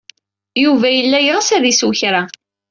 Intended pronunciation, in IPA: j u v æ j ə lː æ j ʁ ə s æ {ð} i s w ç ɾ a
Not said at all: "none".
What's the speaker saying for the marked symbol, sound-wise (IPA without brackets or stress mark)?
ð